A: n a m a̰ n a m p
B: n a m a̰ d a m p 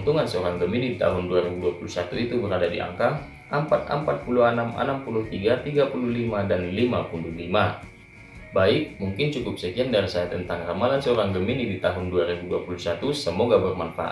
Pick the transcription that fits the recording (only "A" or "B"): A